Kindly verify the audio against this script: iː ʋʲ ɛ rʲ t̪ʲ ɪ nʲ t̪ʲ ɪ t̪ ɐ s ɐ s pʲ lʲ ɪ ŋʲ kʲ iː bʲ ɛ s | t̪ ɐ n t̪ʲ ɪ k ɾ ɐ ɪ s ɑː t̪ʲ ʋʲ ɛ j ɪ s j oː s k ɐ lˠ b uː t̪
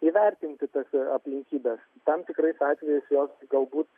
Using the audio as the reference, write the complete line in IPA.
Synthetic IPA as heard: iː ʋʲ ɛ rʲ t̪ʲ ɪ nʲ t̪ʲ ɪ t̪ ɐ s ɐ pʲ lʲ ɪ ŋʲ kʲ iː bʲ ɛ s | t̪ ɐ m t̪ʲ ɪ k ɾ ɐ ɪ s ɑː t̪ʲ ʋʲ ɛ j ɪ s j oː s ɡ ɐ lˠ b uː t̪

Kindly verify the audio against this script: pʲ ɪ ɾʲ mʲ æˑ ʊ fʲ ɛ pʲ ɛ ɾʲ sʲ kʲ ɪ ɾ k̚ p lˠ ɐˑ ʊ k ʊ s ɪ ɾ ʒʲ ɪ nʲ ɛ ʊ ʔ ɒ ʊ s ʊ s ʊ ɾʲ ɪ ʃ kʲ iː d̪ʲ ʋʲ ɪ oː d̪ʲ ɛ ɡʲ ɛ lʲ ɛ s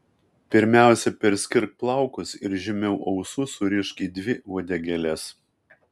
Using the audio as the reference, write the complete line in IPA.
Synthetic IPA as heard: pʲ ɪ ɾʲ mʲ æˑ ʊ sʲ ɛ pʲ ɛ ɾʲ sʲ kʲ ɪ ɾ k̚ p lˠ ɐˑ ʊ k ʊ s ɪ ɾ ʒʲ ɪ mʲ ɛ ʊ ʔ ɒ ʊ s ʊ s ʊ ɾʲ ɪ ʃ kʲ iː d̪ʲ ʋʲ ɪ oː d̪ʲ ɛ ɡʲ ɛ lʲ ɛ s

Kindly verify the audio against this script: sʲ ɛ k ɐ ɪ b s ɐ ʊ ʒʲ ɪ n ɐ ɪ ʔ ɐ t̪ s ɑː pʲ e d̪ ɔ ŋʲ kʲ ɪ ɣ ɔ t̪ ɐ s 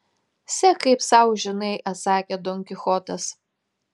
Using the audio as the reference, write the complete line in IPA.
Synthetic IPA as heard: sʲ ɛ k ɐ ɪ p s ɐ ʊ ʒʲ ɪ n ɐ ɪ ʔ ɐ t̪ s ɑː kʲ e d̪ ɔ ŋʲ kʲ ɪ x ɔ t̪ ɐ s

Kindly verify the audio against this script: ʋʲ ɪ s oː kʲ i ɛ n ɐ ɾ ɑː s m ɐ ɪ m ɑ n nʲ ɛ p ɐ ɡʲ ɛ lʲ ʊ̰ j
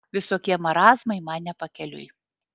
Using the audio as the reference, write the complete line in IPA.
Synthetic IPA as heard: ʋʲ ɪ s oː kʲ i ɛ m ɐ ɾ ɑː z m ɐ ɪ m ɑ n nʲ ɛ p ɐ kʲ ɛ lʲ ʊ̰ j

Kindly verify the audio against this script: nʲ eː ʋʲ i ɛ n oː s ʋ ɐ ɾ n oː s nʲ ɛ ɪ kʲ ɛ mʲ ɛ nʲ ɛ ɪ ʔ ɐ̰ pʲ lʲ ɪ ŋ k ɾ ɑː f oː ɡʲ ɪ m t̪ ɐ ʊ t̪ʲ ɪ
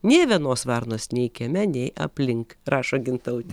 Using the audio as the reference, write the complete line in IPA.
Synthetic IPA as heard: nʲ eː ʋʲ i ɛ n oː s ʋ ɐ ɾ n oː s nʲ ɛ ɪ kʲ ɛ mʲ ɛ nʲ ɛ ɪ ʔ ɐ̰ pʲ lʲ ɪ ŋ k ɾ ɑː ʃ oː ɡʲ ɪ n t̪ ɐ ʊ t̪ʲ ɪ

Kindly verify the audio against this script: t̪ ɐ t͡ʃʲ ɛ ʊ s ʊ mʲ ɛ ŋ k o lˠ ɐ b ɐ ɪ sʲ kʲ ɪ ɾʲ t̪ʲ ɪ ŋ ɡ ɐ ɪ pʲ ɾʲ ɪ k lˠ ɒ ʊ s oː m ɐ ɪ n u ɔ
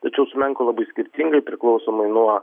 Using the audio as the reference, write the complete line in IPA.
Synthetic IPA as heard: t̪ ɐ t͡ʃʲ ɛ ʊ s ʊ mʲ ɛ ŋ k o lˠ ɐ b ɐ ɪ sʲ kʲ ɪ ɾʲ t̪ʲ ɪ ŋ ɡ ɐ ɪ pʲ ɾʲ ɪ k lˠ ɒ ʊ s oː m ɐ ɪ n u ɔ

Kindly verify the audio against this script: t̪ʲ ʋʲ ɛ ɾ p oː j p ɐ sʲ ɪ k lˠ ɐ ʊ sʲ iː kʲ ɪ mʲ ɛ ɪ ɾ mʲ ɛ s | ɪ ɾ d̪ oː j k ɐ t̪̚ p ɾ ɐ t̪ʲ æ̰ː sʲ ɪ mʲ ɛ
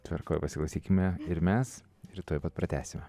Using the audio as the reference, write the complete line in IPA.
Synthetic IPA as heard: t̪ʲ ʋʲ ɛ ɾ k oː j p ɐ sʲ ɪ k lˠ ɐ ʊ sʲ iː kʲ ɪ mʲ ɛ ɪ ɾ mʲ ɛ s | ɪ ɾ t̪ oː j p ɐ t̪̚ p ɾ ɐ t̪ʲ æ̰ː sʲ ɪ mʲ ɛ

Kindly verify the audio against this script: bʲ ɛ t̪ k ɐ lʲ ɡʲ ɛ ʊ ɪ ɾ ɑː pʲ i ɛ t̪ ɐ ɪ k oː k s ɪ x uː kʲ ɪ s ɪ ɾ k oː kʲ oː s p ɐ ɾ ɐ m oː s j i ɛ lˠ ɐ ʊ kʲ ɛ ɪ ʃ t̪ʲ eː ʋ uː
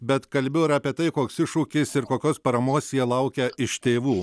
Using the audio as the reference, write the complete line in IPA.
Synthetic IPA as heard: bʲ ɛ t̪ k ɐ lʲ bʲ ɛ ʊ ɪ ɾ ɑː pʲ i ɛ t̪ ɐ ɪ k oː k s ɪ ʃ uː kʲ ɪ s ɪ ɾ k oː kʲ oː s p ɐ ɾ ɐ m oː s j i ɛ lˠ ɐ ʊ kʲ ɛ ɪ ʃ t̪ʲ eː ʋ uː

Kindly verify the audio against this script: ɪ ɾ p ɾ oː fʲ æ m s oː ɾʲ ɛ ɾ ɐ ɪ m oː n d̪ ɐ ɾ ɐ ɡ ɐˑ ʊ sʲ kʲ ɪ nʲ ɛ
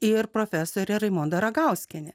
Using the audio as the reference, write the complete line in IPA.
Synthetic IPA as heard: ɪ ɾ p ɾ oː fʲ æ s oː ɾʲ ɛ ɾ ɐ ɪ m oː n d̪ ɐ ɾ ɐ ɡ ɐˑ ʊ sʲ kʲ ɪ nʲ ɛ

